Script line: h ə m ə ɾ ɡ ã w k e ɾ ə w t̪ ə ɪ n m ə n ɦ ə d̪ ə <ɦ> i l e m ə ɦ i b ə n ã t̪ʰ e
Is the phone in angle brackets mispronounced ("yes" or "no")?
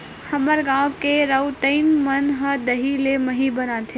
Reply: no